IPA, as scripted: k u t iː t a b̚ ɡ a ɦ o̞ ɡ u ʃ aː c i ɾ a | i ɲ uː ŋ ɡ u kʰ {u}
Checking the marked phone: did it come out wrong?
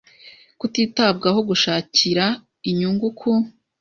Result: no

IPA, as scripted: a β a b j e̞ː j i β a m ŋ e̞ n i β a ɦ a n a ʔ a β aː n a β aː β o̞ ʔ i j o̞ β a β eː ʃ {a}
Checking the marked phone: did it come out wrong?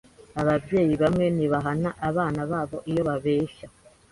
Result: no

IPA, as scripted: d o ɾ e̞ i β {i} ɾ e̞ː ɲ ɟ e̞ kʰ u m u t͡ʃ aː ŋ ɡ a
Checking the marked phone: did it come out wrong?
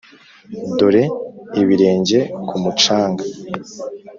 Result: no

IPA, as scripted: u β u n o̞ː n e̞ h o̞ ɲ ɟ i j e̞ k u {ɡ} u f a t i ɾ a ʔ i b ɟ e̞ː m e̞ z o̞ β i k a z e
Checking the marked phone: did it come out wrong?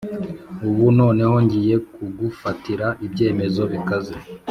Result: no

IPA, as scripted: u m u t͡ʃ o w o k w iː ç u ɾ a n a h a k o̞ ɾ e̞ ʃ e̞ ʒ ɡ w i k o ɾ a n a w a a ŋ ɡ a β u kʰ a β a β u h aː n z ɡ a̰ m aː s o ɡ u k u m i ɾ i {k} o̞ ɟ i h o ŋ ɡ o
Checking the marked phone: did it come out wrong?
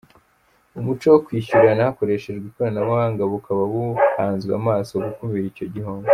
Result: yes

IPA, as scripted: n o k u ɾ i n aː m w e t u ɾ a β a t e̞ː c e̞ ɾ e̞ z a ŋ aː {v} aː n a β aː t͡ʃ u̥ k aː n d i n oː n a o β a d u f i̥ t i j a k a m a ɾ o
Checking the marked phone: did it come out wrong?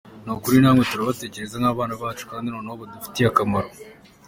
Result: yes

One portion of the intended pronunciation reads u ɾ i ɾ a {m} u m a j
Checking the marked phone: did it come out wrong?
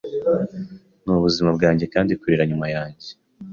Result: yes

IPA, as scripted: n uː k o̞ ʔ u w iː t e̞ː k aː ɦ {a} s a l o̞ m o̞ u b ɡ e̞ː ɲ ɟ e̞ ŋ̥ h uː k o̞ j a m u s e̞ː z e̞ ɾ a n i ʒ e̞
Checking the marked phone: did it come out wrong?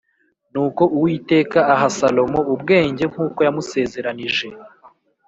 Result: no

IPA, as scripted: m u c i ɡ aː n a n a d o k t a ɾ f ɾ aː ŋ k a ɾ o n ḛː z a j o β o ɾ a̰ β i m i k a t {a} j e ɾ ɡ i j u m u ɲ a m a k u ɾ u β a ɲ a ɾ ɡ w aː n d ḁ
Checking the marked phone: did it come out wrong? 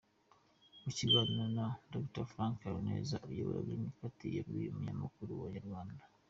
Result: yes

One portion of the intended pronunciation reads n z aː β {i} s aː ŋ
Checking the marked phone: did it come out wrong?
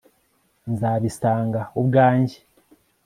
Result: no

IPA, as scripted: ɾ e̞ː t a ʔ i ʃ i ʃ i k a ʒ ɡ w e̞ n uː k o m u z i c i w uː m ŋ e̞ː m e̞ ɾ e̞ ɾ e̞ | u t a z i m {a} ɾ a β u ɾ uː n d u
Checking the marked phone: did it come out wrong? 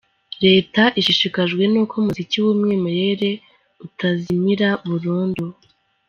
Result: yes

